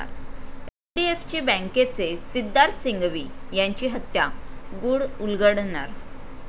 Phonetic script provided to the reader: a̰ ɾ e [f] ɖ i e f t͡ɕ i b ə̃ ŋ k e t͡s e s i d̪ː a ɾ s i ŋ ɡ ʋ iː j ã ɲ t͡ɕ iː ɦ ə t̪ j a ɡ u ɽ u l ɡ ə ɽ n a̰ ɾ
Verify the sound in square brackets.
correct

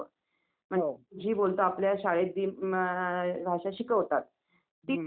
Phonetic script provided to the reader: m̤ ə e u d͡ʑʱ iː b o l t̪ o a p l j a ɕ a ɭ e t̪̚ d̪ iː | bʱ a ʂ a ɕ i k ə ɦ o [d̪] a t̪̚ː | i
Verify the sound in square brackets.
incorrect: t̪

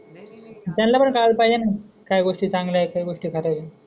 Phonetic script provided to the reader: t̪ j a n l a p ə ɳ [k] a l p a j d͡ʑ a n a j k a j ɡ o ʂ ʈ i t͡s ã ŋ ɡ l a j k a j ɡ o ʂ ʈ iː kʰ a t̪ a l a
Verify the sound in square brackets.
correct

